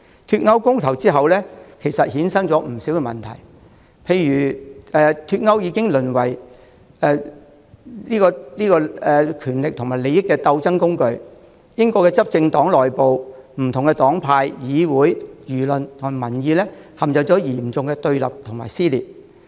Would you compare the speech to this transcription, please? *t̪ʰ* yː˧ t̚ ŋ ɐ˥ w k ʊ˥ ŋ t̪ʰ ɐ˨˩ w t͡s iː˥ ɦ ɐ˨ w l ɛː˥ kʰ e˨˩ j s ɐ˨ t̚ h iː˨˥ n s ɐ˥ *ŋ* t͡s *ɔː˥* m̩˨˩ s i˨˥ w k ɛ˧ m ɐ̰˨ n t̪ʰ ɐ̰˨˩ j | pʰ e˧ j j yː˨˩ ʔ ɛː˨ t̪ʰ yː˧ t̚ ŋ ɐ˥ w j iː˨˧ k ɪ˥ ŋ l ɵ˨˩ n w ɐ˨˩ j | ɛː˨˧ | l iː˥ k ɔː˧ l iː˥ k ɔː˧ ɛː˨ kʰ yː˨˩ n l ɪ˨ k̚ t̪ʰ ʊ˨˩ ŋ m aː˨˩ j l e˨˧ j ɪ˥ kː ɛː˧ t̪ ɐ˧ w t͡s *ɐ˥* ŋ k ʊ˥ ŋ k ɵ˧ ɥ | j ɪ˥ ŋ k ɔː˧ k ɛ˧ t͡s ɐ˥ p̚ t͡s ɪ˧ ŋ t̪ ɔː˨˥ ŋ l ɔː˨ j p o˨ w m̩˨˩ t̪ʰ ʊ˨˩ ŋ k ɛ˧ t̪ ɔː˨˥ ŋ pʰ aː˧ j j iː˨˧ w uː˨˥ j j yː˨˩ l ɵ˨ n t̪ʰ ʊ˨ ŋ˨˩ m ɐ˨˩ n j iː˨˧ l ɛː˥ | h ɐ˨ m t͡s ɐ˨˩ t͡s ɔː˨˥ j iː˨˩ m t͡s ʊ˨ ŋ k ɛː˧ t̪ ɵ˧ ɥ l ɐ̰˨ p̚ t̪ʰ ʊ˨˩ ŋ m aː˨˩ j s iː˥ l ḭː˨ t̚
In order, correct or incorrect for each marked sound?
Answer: correct, correct, incorrect: ɔː˨˥, correct

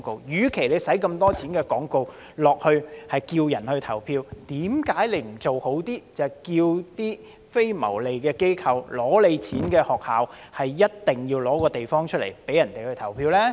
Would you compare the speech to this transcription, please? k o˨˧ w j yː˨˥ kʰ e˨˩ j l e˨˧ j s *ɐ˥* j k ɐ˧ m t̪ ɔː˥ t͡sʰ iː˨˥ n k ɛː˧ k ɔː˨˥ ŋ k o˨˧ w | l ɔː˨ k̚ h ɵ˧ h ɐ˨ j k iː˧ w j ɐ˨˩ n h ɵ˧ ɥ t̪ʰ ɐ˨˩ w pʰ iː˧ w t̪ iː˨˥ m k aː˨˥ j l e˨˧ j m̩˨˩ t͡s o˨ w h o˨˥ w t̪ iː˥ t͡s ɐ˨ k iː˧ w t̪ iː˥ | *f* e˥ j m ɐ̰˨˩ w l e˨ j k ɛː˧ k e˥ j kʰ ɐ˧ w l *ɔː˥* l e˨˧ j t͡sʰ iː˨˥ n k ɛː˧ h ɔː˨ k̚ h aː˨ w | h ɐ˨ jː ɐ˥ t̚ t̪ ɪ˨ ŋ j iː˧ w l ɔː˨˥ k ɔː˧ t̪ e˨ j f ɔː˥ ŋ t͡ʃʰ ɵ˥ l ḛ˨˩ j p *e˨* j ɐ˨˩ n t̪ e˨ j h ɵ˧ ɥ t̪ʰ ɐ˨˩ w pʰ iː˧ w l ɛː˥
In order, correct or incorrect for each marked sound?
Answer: incorrect: ɐ˨˥, correct, incorrect: ɔː˨˥, incorrect: e˨˥

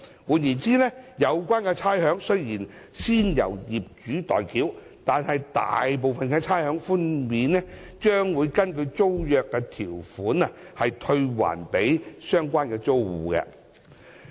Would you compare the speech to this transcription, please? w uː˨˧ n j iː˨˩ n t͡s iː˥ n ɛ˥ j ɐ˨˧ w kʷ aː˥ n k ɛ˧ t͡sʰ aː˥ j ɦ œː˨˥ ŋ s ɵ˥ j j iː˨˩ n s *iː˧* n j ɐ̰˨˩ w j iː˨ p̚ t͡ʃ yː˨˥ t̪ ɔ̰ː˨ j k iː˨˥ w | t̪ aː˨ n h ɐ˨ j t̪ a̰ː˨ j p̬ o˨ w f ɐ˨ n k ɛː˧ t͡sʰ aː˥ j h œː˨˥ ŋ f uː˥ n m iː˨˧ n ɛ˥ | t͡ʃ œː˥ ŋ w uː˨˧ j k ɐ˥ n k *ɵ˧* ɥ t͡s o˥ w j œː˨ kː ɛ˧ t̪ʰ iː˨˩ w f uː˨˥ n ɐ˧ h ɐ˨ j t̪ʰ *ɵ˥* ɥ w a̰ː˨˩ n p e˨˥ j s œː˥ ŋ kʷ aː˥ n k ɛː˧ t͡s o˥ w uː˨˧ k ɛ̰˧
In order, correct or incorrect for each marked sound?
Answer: incorrect: iː˥, correct, incorrect: ɵ˧

